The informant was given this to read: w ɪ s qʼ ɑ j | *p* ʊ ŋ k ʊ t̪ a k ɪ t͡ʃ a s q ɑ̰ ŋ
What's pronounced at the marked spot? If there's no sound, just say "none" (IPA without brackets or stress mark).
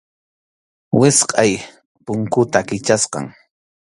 p